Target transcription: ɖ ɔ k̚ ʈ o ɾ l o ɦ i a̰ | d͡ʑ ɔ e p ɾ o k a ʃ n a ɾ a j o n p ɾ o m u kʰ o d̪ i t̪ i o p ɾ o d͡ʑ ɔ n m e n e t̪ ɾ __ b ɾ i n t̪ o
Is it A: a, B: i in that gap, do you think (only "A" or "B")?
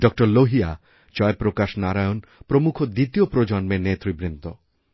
B